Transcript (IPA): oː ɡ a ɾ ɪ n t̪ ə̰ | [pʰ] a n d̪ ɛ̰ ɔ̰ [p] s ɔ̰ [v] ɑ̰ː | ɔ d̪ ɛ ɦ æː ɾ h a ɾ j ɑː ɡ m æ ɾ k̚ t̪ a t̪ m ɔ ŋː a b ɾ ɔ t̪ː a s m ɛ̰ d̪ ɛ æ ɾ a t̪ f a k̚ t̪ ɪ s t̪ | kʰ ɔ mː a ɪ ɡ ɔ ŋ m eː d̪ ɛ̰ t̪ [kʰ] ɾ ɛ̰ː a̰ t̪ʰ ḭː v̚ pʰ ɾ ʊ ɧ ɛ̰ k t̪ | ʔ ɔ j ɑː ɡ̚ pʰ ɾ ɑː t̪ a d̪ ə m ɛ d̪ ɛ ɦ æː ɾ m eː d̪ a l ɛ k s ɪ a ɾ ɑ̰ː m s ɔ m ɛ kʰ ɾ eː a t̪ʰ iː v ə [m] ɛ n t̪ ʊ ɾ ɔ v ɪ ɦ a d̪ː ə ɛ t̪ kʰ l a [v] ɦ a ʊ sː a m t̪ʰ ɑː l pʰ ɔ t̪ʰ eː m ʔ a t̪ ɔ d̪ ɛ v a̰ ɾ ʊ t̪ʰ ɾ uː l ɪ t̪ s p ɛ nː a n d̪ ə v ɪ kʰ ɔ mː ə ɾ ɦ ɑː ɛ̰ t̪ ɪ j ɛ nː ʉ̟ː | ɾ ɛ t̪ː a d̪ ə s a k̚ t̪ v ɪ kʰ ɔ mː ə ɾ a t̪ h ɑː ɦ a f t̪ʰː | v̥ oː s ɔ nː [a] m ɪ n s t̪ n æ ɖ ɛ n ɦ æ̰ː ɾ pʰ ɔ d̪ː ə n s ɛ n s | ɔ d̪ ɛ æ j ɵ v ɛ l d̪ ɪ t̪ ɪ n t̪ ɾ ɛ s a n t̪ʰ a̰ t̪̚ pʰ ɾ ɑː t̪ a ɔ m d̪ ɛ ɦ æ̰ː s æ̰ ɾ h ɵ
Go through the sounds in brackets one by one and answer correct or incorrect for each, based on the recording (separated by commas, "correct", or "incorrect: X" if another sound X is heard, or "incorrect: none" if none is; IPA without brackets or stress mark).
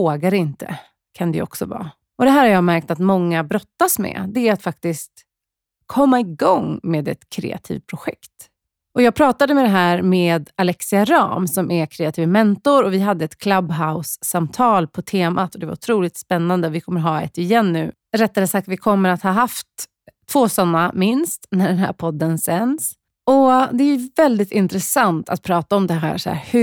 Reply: incorrect: kʰ, incorrect: k, correct, correct, correct, incorrect: b, correct